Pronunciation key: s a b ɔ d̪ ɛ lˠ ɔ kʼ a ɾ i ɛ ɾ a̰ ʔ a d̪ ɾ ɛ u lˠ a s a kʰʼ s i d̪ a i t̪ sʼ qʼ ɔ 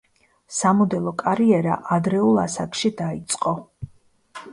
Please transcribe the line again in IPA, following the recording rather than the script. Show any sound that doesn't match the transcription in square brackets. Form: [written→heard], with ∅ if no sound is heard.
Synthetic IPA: s a [b→m] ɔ d̪ ɛ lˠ ɔ kʼ a ɾ i ɛ ɾ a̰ ʔ a d̪ ɾ ɛ u lˠ a s a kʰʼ [s→ʃ] i d̪ a i t̪ sʼ qʼ ɔ